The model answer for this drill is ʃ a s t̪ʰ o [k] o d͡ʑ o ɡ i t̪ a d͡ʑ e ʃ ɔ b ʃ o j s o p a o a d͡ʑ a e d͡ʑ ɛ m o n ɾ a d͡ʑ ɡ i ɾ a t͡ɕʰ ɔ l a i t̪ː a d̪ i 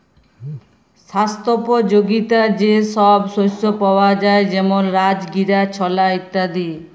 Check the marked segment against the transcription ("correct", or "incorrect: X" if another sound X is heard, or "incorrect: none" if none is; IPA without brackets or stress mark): incorrect: p